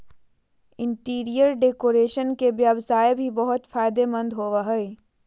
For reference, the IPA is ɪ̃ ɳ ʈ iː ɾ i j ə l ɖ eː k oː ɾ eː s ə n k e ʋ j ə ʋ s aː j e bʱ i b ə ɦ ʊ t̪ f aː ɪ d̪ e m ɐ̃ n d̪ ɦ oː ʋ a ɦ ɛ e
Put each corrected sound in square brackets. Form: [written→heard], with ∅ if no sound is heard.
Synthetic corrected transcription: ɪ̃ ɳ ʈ iː ɾ i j ə [l→ɾ] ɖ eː k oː ɾ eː [s→ʃ] ə n k e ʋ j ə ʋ s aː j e bʱ i b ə ɦ ʊ t̪ f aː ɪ d̪ e m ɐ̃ n d̪ ɦ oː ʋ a ɦ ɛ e